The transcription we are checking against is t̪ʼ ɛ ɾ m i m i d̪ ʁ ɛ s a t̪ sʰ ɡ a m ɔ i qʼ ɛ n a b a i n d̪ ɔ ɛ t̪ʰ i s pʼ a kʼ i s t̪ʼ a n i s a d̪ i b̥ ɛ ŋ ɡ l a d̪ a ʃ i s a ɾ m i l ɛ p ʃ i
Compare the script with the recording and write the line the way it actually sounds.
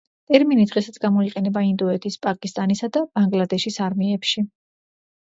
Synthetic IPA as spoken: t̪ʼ ɛ ɾ m i n i d̪ ʁ ɛ s a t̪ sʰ ɡ a m ɔ i qʼ ɛ n ɛ b a i n d̪ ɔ ɛ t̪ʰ i s pʼ a kʼ i s t̪ʼ a n i s a d̪ a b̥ a ŋ ɡ l a d̪ ɛ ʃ i s a ɾ m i ɛ p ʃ i